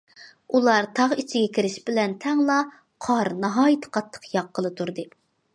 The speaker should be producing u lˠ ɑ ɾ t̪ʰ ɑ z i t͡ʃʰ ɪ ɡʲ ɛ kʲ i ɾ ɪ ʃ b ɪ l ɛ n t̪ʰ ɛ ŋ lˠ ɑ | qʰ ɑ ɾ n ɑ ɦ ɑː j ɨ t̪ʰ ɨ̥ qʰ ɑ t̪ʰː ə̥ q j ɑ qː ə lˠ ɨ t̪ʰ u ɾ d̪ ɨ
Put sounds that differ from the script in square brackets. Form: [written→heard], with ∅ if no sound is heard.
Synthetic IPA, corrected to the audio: u lˠ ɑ ɾ t̪ʰ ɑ [z→ʁ] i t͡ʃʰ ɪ ɡʲ ɛ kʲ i ɾ ɪ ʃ b ɪ l ɛ n t̪ʰ ɛ ŋ lˠ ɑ | qʰ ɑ ɾ n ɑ ɦ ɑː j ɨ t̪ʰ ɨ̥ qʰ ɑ t̪ʰː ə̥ q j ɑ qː ə lˠ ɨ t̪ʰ u ɾ d̪ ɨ